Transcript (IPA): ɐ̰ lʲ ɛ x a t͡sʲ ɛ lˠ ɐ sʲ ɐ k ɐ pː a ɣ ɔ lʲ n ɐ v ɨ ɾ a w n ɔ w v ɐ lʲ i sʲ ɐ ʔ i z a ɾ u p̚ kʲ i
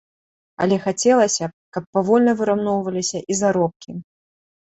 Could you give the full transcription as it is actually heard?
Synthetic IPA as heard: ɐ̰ lʲ ɛ x a t͡sʲ ɛ lˠ ɐ sʲ ɐ k ɐ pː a v ɔ lʲ n ɐ v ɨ ɾ a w n ɔ w v ɐ lʲ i sʲ ɐ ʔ i z a ɾ ɔ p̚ kʲ i